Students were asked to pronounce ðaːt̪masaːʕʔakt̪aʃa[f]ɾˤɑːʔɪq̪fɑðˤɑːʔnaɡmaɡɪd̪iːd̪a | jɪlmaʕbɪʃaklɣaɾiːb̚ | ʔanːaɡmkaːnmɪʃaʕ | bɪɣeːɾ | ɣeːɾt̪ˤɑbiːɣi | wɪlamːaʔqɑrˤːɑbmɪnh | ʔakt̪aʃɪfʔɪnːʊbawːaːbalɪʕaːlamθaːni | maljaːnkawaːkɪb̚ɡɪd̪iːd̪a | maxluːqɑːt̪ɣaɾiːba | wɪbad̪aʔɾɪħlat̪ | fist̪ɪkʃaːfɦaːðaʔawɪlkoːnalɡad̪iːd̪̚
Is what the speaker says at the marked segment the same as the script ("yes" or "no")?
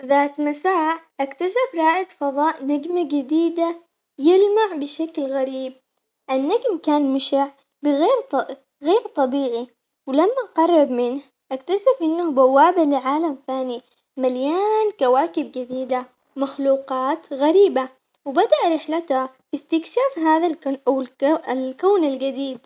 yes